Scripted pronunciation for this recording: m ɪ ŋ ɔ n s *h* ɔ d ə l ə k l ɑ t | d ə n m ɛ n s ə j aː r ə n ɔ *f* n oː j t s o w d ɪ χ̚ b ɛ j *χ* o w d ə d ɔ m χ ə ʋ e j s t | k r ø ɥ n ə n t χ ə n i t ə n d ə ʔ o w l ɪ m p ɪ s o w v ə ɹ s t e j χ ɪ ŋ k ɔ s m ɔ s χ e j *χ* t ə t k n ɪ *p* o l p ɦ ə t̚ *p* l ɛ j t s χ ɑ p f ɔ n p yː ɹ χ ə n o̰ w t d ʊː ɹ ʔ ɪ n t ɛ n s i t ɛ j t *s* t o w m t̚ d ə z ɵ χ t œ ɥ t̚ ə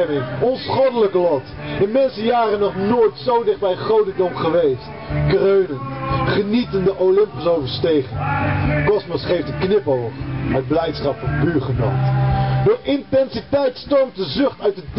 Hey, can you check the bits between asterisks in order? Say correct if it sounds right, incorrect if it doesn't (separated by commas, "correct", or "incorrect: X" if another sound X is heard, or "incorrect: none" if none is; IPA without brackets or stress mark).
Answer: incorrect: χ, incorrect: χ, correct, incorrect: f, correct, incorrect: b, correct